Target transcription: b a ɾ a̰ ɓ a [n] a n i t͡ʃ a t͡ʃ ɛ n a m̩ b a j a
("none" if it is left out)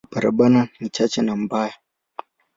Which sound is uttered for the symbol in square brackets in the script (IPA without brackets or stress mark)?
n